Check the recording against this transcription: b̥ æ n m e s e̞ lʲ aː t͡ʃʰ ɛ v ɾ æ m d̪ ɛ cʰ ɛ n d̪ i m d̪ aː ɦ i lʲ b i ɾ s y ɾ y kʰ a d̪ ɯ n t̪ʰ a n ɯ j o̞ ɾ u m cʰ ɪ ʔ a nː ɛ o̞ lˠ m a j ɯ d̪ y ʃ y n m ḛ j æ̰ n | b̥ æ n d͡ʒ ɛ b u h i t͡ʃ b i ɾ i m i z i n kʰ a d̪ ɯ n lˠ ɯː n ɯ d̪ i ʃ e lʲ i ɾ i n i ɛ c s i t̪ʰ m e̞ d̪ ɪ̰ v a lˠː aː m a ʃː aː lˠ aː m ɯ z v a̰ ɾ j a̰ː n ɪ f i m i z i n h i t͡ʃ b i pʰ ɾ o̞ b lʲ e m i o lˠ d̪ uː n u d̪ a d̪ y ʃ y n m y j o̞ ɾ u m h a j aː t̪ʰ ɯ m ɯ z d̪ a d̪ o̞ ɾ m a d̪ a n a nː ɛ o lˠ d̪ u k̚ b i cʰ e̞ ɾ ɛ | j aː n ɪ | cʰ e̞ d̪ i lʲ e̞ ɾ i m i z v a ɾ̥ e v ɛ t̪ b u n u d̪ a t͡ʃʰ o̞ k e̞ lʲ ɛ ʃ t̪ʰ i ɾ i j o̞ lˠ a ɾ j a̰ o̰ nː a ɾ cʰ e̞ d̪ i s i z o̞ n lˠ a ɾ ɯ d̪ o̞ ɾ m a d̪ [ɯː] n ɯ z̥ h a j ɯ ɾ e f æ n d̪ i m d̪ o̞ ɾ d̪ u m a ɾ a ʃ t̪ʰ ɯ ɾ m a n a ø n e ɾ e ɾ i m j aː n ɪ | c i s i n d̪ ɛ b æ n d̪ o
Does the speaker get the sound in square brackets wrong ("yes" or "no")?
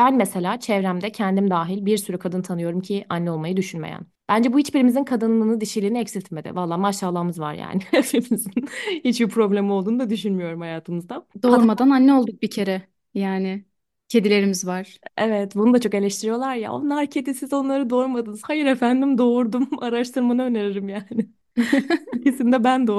yes